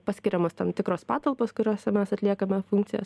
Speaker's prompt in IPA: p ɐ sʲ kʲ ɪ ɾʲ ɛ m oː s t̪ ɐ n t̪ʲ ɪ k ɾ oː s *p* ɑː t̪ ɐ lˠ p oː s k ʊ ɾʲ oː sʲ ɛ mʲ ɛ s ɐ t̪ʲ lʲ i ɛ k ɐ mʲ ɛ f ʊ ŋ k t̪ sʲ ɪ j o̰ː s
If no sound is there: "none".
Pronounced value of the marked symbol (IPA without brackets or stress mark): p